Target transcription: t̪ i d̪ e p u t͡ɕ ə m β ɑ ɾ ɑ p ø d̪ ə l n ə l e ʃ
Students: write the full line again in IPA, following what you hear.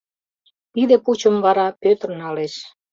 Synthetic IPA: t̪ i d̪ e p u t͡ɕ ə m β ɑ ɾ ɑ p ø t̪ ə r n ɑ l e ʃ